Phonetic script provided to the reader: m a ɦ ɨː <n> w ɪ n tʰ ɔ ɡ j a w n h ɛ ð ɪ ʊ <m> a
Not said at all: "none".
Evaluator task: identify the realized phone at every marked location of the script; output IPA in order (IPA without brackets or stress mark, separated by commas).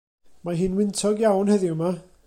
n, m